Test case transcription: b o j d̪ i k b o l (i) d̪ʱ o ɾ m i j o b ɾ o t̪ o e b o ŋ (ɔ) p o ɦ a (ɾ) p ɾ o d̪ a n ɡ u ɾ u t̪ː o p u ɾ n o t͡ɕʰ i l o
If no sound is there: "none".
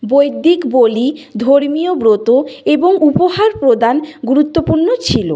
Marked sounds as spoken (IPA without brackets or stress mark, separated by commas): i, u, ɾ